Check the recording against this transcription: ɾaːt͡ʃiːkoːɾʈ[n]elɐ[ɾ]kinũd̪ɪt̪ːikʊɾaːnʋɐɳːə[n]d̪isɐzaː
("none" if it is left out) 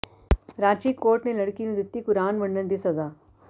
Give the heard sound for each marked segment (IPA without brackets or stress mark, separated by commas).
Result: n, ɽ, n